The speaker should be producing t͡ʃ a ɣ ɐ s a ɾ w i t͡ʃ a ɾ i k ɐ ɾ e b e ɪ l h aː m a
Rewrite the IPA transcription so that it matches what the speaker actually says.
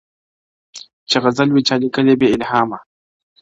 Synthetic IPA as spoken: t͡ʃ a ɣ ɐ z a l w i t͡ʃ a l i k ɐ l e b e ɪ l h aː m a